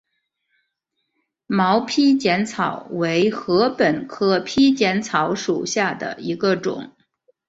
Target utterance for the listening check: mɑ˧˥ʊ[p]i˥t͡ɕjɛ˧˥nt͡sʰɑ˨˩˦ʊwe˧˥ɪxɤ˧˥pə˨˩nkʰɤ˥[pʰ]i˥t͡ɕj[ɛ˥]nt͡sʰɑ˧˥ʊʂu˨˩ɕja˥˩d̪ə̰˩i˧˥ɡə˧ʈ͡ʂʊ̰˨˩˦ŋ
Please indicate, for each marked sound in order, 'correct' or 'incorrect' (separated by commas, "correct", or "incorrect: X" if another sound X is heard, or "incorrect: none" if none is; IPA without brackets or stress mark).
incorrect: pʰ, correct, incorrect: ɛ˧˥